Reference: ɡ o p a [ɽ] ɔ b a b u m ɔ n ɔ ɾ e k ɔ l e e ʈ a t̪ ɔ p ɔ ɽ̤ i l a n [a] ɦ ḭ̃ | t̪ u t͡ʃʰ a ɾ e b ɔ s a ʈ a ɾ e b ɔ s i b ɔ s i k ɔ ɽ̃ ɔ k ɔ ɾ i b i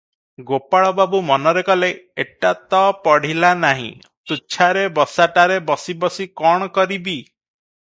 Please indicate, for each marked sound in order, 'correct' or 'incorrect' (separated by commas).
incorrect, correct